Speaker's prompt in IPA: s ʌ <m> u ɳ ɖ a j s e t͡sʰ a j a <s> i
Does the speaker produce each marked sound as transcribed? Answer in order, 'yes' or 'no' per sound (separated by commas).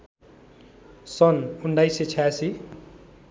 no, yes